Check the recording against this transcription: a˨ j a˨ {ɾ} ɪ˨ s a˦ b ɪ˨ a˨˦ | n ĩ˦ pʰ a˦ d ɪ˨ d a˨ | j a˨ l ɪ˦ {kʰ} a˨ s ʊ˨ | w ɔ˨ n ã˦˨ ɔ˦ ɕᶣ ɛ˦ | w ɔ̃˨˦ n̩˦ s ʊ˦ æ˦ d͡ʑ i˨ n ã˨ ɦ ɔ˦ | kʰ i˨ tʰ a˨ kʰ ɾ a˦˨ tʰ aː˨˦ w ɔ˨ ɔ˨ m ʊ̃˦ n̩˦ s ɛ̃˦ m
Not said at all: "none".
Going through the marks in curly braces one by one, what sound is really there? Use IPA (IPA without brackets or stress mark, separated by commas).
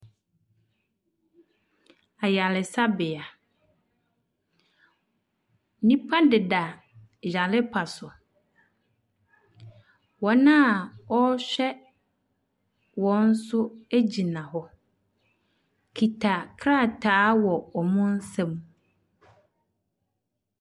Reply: l, pʰ